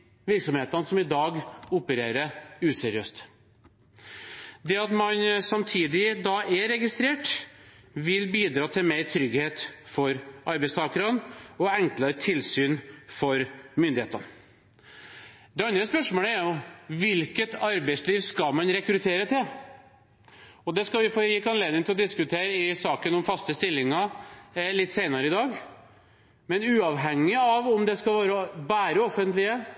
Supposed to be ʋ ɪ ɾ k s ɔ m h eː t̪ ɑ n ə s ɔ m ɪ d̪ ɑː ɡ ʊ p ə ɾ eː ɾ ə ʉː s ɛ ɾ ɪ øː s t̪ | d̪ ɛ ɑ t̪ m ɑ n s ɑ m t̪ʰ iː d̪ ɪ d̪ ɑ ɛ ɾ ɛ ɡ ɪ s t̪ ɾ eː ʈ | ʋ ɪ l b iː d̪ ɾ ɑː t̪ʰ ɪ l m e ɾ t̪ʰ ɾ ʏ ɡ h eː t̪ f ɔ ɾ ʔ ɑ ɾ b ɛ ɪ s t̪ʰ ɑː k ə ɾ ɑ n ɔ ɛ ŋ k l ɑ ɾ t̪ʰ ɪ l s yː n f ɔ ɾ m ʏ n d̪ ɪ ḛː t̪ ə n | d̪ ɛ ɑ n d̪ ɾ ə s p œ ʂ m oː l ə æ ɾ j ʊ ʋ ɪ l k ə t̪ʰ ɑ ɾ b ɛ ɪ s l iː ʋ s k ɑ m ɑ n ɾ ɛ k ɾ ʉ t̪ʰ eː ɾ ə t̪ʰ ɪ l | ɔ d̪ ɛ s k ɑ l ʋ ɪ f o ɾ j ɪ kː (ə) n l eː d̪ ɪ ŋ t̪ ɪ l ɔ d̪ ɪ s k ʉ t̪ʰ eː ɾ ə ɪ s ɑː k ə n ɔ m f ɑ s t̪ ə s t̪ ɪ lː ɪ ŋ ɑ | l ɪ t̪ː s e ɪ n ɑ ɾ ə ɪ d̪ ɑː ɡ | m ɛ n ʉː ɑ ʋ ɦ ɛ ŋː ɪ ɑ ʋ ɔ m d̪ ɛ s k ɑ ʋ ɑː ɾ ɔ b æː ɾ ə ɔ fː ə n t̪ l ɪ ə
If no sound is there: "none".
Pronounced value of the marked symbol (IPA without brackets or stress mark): ɑ